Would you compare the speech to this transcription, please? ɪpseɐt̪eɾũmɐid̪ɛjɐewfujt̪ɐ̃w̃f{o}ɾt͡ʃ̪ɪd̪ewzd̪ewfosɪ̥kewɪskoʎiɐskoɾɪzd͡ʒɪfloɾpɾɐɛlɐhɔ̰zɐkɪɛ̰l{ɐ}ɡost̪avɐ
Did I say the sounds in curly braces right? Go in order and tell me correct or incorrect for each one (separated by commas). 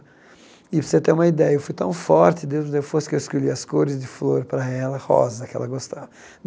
incorrect, correct